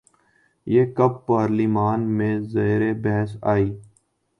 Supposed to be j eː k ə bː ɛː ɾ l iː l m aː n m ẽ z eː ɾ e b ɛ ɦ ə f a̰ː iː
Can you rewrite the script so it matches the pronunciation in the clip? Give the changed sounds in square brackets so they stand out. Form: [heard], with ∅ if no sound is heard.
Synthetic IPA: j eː k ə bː [aː] ɾ l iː [∅] m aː n m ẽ z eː ɾ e b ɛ ɦ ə [s] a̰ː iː